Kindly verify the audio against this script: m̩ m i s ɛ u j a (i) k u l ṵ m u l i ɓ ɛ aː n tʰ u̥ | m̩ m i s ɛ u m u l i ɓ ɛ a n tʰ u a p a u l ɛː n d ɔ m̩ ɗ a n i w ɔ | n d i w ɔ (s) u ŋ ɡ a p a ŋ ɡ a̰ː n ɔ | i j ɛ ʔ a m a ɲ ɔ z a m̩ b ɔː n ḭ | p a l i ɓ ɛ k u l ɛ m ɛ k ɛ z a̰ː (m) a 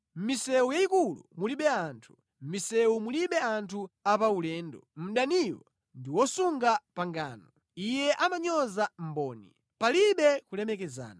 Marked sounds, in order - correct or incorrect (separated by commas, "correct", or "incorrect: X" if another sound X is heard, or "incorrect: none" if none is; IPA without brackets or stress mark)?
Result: correct, correct, incorrect: n